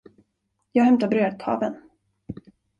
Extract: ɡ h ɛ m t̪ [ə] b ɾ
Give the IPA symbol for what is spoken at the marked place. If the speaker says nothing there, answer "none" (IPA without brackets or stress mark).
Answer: a